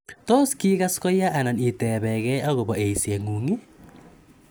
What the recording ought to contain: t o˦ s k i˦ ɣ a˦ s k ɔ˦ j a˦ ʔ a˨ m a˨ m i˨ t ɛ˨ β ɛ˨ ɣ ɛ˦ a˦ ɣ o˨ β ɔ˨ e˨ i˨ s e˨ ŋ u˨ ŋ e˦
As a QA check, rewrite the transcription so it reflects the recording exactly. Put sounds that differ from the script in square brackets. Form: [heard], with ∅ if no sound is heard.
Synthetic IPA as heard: t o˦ s k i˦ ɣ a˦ s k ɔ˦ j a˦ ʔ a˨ [n] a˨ [n] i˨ t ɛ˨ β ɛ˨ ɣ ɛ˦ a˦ ɣ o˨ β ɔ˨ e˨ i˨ s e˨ ŋ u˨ ŋ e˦